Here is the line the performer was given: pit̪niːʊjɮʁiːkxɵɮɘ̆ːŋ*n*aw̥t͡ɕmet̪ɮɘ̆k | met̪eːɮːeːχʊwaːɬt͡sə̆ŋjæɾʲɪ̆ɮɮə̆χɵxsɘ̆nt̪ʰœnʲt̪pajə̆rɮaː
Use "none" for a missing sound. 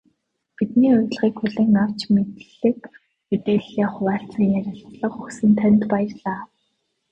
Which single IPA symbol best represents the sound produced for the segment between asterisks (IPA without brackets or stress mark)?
n